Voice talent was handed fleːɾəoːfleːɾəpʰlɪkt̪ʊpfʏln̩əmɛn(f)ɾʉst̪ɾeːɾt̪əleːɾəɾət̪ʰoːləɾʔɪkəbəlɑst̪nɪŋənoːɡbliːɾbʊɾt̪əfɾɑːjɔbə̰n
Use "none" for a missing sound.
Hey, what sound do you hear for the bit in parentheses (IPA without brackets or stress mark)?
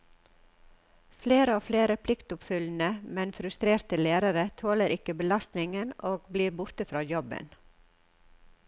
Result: f